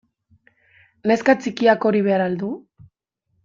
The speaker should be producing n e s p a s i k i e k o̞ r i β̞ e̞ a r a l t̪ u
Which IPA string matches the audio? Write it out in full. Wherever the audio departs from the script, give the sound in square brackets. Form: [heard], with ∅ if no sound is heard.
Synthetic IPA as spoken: n e s [k] a [t͡s] i k i [a] k o̞ [ɾ] i β̞ e̞ a [ɾ] a l [d̪] u